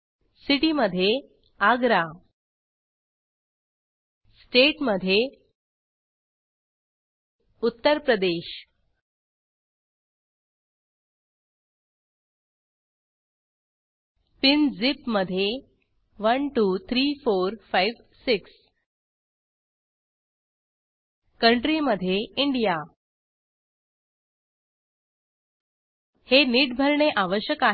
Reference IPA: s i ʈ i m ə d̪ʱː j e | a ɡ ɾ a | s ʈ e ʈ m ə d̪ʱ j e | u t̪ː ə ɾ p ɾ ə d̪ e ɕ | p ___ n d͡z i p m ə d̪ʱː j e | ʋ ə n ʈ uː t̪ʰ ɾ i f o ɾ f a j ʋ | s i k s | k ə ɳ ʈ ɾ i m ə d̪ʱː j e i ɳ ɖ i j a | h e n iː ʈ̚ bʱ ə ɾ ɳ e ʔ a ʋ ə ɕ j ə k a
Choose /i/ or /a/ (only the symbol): i